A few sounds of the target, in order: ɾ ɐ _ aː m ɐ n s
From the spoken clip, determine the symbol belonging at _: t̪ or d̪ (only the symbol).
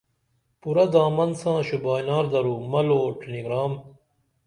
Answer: d̪